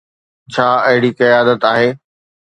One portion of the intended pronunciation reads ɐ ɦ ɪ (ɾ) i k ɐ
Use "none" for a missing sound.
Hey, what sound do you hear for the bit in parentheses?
ɽ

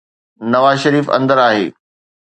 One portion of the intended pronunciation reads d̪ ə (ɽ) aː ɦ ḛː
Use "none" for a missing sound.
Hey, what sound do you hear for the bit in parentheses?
ɾ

